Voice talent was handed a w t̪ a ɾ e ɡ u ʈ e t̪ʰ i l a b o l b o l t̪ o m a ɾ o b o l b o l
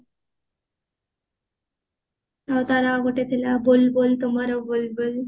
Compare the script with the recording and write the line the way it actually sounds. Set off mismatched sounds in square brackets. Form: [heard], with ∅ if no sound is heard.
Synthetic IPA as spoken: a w t̪ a ɾ [a] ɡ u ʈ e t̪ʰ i l a b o l b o l t̪ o m a ɾ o b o l b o l